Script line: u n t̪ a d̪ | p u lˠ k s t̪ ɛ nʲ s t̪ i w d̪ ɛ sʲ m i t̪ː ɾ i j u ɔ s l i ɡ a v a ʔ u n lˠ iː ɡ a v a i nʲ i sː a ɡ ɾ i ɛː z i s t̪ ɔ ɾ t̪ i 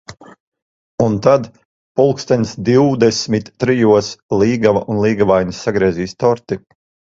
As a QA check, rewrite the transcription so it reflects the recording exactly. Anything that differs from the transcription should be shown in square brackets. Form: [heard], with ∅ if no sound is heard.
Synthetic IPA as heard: u n t̪ a d̪ | p u lˠ k s t̪ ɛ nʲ s [d̪] i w d̪ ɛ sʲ m i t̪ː ɾ i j u ɔ s l [iː] ɡ a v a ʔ u n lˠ iː ɡ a v a [j] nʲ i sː a ɡ ɾ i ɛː z [iː] s t̪ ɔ ɾ t̪ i